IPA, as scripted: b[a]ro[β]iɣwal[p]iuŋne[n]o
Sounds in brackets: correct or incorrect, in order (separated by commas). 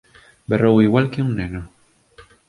incorrect, incorrect, incorrect, correct